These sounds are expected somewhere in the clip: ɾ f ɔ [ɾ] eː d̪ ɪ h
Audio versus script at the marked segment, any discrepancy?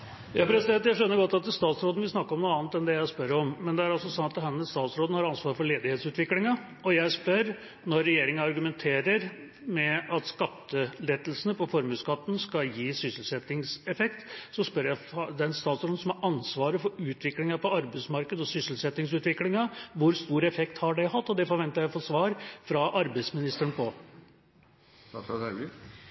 yes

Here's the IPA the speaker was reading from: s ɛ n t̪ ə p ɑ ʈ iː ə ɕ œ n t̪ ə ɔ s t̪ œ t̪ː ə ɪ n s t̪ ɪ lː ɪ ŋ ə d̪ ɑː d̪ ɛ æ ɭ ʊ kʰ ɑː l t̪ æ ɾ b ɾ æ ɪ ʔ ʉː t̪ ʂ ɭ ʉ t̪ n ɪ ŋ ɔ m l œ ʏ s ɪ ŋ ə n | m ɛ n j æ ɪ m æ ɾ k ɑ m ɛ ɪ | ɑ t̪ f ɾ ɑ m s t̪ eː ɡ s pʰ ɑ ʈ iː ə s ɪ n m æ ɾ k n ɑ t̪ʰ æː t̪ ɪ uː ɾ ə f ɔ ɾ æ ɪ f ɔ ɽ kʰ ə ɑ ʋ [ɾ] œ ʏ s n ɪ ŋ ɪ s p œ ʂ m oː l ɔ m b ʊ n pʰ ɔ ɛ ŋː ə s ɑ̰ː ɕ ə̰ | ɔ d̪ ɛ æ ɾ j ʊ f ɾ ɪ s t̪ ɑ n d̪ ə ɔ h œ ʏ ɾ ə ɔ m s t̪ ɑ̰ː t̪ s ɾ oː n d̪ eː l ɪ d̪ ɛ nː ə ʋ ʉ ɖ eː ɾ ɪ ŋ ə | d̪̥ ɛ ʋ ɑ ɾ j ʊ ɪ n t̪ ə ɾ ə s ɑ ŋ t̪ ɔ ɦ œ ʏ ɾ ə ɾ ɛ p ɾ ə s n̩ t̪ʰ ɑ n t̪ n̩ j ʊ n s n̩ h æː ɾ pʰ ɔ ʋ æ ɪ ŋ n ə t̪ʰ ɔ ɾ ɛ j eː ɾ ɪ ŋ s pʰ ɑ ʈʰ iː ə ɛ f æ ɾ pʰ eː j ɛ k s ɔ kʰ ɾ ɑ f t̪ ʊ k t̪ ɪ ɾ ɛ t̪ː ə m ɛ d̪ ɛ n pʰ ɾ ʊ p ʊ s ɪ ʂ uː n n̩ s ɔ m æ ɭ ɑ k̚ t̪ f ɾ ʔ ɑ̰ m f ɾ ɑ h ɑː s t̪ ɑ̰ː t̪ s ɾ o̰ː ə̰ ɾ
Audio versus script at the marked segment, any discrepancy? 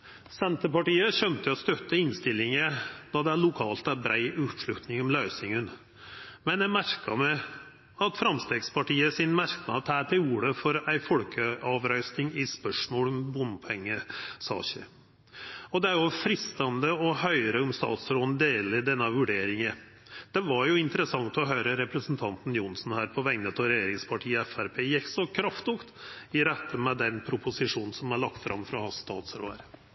no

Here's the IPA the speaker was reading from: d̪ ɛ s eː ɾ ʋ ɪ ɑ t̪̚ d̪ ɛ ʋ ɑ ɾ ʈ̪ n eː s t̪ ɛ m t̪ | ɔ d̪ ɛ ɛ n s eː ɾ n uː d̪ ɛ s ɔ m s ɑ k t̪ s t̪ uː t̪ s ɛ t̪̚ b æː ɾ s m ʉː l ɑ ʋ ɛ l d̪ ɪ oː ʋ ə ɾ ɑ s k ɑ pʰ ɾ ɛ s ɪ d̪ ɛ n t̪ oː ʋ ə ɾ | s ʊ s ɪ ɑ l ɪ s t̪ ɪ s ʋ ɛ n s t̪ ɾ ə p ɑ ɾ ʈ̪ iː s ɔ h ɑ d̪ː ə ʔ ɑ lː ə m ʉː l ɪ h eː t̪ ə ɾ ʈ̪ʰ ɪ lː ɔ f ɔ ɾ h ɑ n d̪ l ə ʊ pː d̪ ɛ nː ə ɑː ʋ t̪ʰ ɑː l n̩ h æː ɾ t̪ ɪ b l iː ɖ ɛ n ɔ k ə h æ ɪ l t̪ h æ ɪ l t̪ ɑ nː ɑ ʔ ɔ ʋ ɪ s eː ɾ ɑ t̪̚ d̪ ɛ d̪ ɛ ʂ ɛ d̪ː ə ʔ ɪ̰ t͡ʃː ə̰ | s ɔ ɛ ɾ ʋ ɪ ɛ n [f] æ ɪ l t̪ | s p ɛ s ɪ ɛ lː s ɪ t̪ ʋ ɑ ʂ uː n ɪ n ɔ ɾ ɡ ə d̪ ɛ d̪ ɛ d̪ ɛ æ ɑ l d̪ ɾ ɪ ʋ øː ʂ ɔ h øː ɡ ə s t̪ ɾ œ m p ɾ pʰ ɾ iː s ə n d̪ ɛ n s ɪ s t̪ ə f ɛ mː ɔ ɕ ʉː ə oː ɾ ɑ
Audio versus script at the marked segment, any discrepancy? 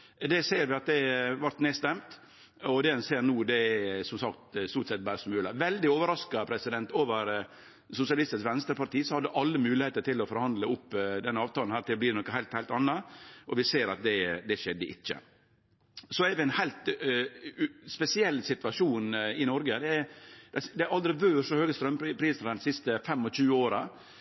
yes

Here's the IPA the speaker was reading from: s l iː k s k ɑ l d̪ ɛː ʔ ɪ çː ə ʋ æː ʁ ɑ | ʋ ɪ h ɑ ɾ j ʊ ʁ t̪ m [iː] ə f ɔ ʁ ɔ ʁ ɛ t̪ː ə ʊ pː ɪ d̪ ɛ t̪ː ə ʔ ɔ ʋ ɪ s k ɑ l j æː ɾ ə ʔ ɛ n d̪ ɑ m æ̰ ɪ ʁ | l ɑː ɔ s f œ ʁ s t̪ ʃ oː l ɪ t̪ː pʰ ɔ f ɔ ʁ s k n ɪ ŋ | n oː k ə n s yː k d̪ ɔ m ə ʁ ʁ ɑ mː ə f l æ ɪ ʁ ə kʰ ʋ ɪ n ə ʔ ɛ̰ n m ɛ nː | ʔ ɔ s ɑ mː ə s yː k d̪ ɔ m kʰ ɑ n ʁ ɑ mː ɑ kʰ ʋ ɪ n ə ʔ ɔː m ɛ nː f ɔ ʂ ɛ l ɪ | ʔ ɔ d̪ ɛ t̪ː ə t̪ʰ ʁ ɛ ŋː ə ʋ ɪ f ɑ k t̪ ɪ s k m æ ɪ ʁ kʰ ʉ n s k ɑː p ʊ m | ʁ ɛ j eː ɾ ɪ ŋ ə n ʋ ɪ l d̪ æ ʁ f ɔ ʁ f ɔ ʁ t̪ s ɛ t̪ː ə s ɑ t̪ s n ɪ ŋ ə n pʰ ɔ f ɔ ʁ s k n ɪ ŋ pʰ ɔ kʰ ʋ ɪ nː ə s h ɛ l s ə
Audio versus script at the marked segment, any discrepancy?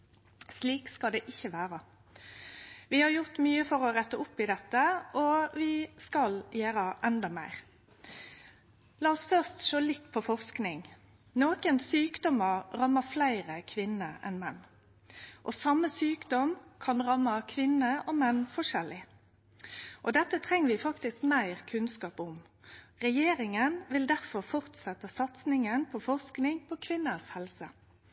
yes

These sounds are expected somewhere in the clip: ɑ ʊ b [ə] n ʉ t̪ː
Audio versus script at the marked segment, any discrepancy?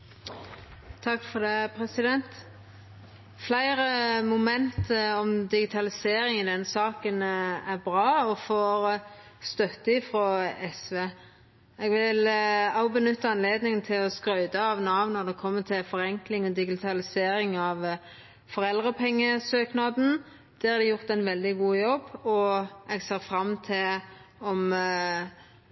no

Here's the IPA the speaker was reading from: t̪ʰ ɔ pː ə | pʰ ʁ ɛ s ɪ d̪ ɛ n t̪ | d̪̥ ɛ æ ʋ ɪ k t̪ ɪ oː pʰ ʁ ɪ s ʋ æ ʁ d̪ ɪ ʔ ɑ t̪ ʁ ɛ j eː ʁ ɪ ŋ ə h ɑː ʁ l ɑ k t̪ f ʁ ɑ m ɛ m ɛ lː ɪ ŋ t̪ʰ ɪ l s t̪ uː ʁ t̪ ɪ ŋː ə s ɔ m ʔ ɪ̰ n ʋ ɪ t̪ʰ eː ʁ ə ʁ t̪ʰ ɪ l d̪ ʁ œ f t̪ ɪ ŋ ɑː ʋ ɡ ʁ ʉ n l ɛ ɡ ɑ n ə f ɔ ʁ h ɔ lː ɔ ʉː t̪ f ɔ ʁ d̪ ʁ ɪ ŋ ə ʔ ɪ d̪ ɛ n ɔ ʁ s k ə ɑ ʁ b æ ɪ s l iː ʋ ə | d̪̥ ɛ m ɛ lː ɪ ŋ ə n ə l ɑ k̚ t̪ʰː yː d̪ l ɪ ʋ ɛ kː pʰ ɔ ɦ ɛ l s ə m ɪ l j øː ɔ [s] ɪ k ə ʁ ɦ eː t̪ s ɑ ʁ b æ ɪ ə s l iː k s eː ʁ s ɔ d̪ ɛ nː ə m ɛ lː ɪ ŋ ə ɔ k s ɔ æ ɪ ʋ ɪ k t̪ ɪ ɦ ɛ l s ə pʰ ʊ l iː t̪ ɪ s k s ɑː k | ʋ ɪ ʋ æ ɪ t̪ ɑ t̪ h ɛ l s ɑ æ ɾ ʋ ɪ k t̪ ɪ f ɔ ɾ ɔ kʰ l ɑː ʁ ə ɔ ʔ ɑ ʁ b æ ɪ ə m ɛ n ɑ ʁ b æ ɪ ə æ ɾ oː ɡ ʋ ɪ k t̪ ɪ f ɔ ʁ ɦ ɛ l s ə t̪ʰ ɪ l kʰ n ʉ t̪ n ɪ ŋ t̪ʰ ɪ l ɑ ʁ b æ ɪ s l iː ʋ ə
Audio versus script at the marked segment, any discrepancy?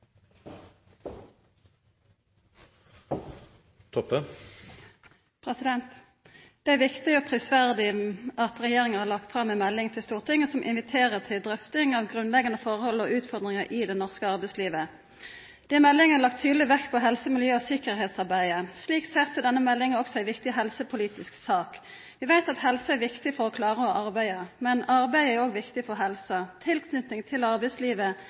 no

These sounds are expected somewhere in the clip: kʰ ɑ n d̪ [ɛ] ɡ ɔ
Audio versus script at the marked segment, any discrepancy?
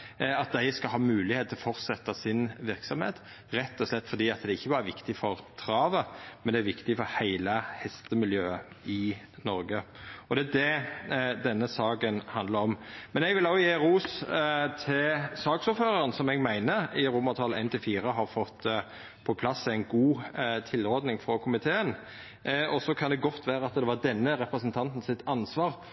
no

